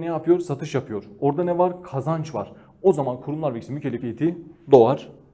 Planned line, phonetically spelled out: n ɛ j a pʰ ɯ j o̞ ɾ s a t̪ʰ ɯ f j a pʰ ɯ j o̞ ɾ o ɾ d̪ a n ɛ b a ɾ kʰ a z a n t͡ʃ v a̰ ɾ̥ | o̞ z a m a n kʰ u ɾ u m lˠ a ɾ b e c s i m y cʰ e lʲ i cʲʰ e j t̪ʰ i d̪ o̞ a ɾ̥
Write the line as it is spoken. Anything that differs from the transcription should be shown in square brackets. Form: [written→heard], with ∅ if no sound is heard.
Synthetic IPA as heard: n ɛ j a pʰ ɯ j o̞ ɾ s a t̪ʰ ɯ [f→ʃ] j a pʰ ɯ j o̞ ɾ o ɾ d̪ a n ɛ [b→v] a ɾ kʰ a z a n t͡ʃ v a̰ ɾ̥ | o̞ z a m a n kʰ u ɾ u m lˠ a ɾ [b→v] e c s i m y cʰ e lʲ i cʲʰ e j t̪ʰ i d̪ o̞ a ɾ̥